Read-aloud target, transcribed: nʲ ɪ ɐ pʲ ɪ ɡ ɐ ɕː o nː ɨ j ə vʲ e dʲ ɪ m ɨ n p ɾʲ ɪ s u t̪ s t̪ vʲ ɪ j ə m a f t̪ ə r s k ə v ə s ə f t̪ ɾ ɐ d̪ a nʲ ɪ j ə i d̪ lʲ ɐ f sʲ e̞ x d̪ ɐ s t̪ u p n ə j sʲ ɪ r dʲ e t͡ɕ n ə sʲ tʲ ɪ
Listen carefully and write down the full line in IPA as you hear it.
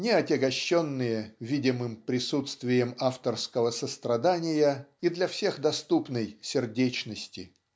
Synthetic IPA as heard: nʲ ɪ ɐ tʲ ɪ ɡ ɐ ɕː o nː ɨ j ə vʲ i dʲ ɪ m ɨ m p ɾʲ ɪ s u t̪ s t̪ vʲ ɪ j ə m a f t̪ ə r s k ə v ə s ə s t̪ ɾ ɐ d̪ a nʲ ɪ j ə i d̪ lʲ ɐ f sʲ e̞ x d̪ ɐ s t̪ u p n ə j sʲ ɪ r dʲ e t͡ɕ n ə sʲ tʲ ɪ

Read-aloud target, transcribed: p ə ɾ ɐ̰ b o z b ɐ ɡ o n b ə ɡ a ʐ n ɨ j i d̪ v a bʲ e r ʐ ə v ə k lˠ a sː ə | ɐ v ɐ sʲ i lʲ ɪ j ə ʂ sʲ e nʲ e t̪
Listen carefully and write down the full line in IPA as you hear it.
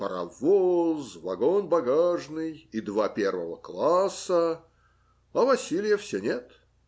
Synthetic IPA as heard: p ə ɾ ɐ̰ v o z v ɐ ɡ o n b ɐ ɡ a ʐ n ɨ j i d̪ v a pʲ e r v ə v ə k lˠ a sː ə | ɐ v ɐ sʲ i lʲ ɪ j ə f sʲ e nʲ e t̪

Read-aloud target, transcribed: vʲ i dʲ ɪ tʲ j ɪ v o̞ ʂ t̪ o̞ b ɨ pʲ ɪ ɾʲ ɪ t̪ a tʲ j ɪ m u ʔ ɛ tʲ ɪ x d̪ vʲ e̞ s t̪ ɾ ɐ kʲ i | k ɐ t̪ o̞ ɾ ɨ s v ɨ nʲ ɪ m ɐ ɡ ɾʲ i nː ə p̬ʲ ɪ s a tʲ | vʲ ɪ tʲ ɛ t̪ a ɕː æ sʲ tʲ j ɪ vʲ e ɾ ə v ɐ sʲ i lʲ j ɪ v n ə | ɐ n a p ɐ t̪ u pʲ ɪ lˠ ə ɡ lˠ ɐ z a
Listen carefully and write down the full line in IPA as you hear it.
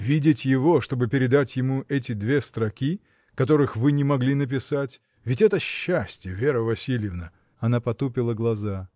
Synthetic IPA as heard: vʲ i dʲ ɪ tʲ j ɪ v o̞ ʂ t̪ o̞ b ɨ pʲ ɪ ɾʲ ɪ d̪ a tʲ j ɪ m u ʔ ɛ tʲ ɪ d̪ vʲ e̞ s t̪ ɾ ɐ kʲ i | k ɐ t̪ o̞ ɾ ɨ x v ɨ nʲ ɪ m ɐ ɡ lʲ i n ə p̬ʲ ɪ s a tʲ | vʲ ɪ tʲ ɛ t̪ ə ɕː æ sʲ tʲ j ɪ vʲ e ɾ ə v ɐ sʲ i lʲ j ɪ v n ə | ɐ n a p ɐ t̪ u pʲ ɪ lˠ ə ɡ lˠ ɐ z a

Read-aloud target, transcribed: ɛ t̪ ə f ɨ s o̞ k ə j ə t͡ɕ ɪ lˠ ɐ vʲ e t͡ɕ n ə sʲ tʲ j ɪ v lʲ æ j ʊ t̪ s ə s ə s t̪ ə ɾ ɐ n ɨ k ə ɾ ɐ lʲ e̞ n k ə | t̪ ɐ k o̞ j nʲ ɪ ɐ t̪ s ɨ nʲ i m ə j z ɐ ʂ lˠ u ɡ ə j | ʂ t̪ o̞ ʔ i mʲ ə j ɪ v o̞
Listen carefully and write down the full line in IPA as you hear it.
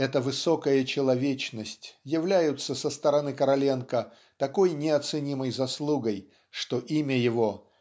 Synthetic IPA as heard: ɛ t̪ ə v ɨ s o̞ k ə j ə t͡ɕ ɪ lˠ ɐ vʲ e t͡ɕ n ə sʲ tʲ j ɪ v lʲ æ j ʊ t̪ s ə s ə s t̪ ə ɾ ɐ n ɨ k ə ɾ ɐ lʲ e̞ n k ə | t̪ ɐ k o̞ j nʲ ɪ ɐ t̪ s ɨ nʲ i m ə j z ɐ s lˠ u ɡ ə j | ʂ t̪ o̞ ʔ i mʲ ə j ɪ v o̞

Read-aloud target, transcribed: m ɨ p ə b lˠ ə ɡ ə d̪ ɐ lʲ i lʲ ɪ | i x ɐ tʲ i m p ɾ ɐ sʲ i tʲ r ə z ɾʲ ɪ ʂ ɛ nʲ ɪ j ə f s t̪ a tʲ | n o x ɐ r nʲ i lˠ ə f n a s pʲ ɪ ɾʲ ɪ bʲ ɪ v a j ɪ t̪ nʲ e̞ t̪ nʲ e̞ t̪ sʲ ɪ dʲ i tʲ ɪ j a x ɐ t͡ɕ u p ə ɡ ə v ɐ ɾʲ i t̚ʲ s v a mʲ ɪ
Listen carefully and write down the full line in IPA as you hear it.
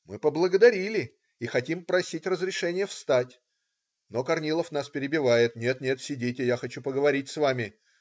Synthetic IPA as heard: m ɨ p ə b lˠ ə ɡ ə d̪ ɐ ɾʲ i lʲ ɪ | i x ɐ tʲ i m p ɾ ɐ sʲ i tʲ r ə z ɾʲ ɪ ʂ ɛ nʲ ɪ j ə f s t̪ a tʲ | n o k ɐ r nʲ i lˠ ə f n a s pʲ ɪ ɾʲ ɪ bʲ ɪ v a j ɪ t̪ nʲ e̞ t̪ nʲ e̞ t̪ sʲ ɪ dʲ i tʲ ɪ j a x ɐ t͡ɕ u p ə ɡ ə v ɐ ɾʲ i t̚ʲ s v a mʲ ɪ

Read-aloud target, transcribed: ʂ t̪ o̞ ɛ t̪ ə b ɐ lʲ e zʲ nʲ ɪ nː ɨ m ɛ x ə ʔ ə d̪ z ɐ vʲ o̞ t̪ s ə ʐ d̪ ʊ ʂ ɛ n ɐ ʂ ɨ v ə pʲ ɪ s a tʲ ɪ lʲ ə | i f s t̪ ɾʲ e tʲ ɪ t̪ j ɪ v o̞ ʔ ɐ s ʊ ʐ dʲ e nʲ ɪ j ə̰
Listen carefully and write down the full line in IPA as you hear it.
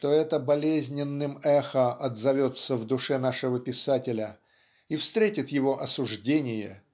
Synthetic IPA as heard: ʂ t̪ o̞ ɛ t̪ ə b ɐ lʲ e zʲ nʲ ɪ nː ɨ m ɛ x ə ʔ ɐ d̪ z ɐ vʲ o̞ t̪ s ə v d̪ ʊ ʂ ɛ n a ʂ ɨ v ə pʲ ɪ s a tʲ ɪ lʲ ə | i f s t̪ ɾʲ e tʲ ɪ t̪ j ɪ v o̞ ʔ ɐ s ʊ ʐ dʲ e nʲ ɪ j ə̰

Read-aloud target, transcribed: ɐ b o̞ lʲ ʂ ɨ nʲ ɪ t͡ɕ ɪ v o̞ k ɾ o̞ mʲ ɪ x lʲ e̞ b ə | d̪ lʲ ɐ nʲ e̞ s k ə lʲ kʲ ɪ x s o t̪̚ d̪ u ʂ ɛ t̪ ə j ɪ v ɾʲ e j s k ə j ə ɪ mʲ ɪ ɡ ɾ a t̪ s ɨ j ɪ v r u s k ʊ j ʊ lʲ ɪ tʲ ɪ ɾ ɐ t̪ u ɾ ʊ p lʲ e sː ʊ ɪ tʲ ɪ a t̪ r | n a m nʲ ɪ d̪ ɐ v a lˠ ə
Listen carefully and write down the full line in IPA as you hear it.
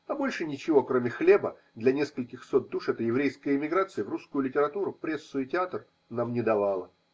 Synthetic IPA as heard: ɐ b o̞ lʲ ʂ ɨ nʲ ɪ t͡ɕ ɪ v o̞ k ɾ o̞ mʲ ɪ x lʲ e̞ b ə | d̪ lʲ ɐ nʲ e̞ s k ə lʲ kʲ ɪ x s o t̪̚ d̪ u ʂ ɛ t̪ ə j ɪ v ɾʲ e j s k ə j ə ɪ mʲ ɪ ɡ ɾ a t̪ s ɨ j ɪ v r u s k ʊ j ʊ lʲ ɪ tʲ ɪ ɾ ɐ t̪ u ɾ ʊ p ɾʲ e sː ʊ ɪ tʲ ɪ a t̪ r | n a m nʲ ɪ d̪ ɐ v a lˠ ə

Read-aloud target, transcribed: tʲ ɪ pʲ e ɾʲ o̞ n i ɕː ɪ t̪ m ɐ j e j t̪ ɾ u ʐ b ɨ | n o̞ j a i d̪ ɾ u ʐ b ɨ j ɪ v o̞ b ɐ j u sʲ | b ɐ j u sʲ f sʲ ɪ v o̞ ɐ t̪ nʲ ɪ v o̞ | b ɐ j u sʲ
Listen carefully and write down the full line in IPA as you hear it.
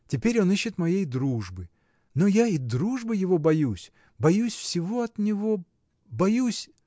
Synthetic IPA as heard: tʲ ɪ pʲ e ɾʲ o̞ n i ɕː ɪ t̪ m ɐ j e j d̪ ɾ u ʐ b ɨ | n o̞ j a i d̪ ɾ u ʐ b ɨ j ɪ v o̞ b ɐ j u sʲ | b ɐ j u sʲ f sʲ ɪ v o̞ ɐ t̪ nʲ ɪ v o̞ | b ɐ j u sʲ

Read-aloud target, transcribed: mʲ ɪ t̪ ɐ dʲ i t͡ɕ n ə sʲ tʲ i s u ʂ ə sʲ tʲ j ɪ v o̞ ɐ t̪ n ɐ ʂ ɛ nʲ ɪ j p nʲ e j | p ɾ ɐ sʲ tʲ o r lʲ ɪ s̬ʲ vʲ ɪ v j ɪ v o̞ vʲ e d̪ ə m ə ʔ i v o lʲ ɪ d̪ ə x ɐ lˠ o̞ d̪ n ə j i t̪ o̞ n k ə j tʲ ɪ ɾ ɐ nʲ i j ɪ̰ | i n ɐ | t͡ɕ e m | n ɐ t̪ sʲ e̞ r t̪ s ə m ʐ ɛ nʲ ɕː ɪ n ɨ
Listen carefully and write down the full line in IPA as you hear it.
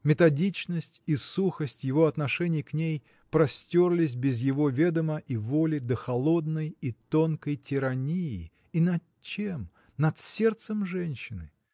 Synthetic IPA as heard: mʲ ɪ t̪ ɐ dʲ i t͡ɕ n ə sʲ tʲ i s u x ə sʲ tʲ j ɪ v o̞ ɐ t̪ n ɐ ʂ ɛ nʲ ɪ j k nʲ e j | p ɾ ɐ sʲ tʲ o r lʲ ɪ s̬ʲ bʲ ɪ z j ɪ v o̞ vʲ e d̪ ə m ə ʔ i v o lʲ ɪ d̪ ə x ɐ lˠ o̞ d̪ n ə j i t̪ o̞ n k ə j tʲ ɪ ɾ ɐ nʲ i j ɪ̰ | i n ɐ | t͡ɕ e m | n ɐ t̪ sʲ e̞ r t̪ s ə m ʐ ɛ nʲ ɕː ɪ n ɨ

